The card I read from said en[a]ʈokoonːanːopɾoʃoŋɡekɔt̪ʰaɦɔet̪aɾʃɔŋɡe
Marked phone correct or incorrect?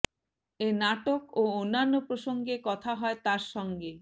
correct